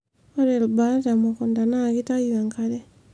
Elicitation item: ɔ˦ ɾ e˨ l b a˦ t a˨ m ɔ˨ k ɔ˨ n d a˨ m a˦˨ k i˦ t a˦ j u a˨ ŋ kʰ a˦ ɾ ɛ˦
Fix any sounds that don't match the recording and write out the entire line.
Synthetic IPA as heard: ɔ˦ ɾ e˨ l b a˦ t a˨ m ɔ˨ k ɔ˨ n d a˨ n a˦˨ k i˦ t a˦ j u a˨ ŋ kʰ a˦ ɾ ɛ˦